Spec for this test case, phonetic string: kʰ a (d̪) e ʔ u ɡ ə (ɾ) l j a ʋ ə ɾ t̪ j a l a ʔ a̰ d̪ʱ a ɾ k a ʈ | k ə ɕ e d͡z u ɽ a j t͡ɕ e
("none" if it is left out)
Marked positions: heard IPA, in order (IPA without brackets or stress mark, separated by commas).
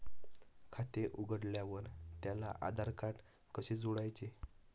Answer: t̪, ɽ